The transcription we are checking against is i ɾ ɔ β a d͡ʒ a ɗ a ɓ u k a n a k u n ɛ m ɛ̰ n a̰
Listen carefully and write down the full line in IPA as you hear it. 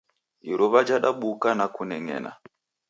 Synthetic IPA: i ɾ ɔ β a d͡ʒ a ɗ a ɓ u k a n a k u n ɛ ŋ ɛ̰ n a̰